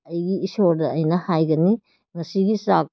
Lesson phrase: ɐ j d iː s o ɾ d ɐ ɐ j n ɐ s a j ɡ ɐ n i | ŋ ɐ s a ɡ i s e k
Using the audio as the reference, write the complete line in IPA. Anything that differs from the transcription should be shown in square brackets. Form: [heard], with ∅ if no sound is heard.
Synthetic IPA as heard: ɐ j [ɡ] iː s o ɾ d ɐ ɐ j n ɐ [h] a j ɡ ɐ n i | ŋ ɐ s [i] ɡ i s [a] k